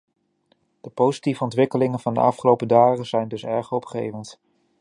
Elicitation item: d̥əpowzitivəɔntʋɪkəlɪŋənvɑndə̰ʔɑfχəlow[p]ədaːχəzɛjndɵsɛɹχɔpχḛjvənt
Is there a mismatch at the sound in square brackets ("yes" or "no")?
no